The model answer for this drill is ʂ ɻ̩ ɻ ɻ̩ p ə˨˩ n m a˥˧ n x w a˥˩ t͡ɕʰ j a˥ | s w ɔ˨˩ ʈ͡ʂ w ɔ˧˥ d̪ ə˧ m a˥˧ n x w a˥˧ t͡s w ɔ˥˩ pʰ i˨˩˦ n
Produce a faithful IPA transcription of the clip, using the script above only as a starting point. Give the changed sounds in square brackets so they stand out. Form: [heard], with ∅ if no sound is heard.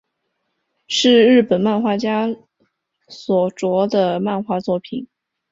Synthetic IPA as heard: ʂ ɻ̩ ɻ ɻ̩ p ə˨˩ n m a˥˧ n x w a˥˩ [t͡ɕ] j a˥ | s w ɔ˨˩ ʈ͡ʂ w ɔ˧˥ d̪ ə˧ m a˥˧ n x w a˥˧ t͡s w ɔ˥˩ pʰ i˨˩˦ n

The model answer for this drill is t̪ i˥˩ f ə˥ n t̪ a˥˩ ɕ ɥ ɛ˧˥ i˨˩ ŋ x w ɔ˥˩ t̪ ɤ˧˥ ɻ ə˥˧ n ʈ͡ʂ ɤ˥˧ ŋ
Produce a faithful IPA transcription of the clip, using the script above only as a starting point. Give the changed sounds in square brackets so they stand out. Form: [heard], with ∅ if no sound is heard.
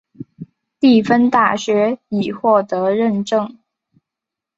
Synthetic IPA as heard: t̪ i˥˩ f ə˥ n t̪ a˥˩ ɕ ɥ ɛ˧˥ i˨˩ [∅] x w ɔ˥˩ t̪ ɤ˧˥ ɻ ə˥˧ n ʈ͡ʂ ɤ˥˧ ŋ

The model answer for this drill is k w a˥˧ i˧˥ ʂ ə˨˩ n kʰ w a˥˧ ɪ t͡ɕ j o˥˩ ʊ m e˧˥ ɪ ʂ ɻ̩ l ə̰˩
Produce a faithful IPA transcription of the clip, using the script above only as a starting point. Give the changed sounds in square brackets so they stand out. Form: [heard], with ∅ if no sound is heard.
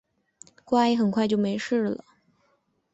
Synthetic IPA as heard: k w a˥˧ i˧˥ [x] ə˨˩ n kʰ w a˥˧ ɪ t͡ɕ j o˥˩ ʊ m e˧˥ ɪ ʂ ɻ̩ l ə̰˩

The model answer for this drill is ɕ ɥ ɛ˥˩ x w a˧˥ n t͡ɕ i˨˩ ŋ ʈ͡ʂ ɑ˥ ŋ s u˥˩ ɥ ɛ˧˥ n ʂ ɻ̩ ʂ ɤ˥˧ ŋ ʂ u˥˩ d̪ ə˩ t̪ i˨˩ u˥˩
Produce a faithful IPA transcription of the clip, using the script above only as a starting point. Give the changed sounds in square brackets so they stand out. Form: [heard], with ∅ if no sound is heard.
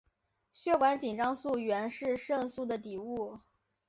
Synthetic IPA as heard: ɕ ɥ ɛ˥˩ [k] w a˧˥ n t͡ɕ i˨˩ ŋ ʈ͡ʂ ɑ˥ ŋ s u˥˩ ɥ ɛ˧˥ n ʂ ɻ̩ ʂ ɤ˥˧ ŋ [s] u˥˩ d̪ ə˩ t̪ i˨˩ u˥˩

